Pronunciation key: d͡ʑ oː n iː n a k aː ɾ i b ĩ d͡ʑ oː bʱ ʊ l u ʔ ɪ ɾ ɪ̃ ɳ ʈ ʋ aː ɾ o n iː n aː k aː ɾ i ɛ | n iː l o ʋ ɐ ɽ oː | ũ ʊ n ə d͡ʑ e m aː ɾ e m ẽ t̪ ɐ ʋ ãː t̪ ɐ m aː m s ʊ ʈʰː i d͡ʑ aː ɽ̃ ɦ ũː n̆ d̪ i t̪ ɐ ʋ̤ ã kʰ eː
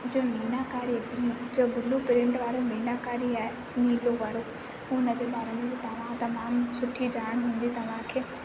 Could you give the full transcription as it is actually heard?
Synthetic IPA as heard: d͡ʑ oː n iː n a k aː ɾ i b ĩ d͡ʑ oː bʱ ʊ l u p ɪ ɾ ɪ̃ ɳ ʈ ʋ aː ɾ o n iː n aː k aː ɾ i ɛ | n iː l o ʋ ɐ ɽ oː | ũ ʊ n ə d͡ʑ e b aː ɾ e m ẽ t̪ ɐ ʋ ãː t̪ ɐ m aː m s ʊ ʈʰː i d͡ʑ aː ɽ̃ ɦ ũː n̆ d̪ i t̪ ɐ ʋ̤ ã kʰ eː